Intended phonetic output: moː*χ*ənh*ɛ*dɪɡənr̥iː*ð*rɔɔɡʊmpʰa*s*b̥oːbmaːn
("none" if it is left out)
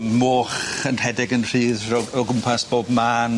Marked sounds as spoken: χ, ɛ, ð, s

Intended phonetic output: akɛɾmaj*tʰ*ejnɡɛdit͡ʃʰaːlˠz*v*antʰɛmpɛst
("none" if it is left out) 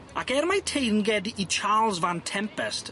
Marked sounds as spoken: tʰ, v

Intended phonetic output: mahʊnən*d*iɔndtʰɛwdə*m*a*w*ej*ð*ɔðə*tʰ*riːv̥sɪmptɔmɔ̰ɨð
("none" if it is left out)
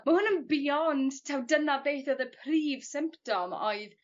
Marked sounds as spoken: b, n, b, θ, pʰ

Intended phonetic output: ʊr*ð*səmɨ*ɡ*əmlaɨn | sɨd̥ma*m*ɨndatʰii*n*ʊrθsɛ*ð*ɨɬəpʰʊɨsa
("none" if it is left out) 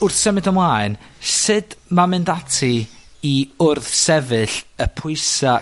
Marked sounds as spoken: θ, d, m, none, v

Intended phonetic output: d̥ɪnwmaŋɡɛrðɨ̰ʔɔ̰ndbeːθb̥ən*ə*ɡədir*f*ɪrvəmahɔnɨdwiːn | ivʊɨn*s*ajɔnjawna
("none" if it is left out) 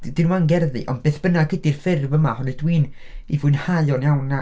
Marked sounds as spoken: a, f, h

